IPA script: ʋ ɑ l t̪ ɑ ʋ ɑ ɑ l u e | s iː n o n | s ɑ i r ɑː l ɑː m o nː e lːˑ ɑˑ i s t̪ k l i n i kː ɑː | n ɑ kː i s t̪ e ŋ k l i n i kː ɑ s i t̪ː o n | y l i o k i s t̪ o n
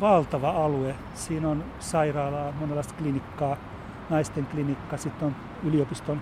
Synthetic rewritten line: ʋ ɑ l t̪ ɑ ʋ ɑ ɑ l u e | s iː n o n | s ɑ i r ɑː l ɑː m o n e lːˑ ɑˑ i s t̪ k l i n i kː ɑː | n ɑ i s t̪ e ŋ k l i n i kː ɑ s i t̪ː o n | y l i o p i s t̪ o n